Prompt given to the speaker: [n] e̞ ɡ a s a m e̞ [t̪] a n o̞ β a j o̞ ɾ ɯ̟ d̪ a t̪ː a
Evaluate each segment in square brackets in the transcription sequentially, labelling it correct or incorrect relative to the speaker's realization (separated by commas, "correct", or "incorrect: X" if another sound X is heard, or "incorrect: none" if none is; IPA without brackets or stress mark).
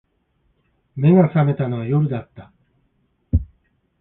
incorrect: m, correct